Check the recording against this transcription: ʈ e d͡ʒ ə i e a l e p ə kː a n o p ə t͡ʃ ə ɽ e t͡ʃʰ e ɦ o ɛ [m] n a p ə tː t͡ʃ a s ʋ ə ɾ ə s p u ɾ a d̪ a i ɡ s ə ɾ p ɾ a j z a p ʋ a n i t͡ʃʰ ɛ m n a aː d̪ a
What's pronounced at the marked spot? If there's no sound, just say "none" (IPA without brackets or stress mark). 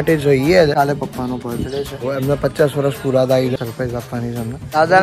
m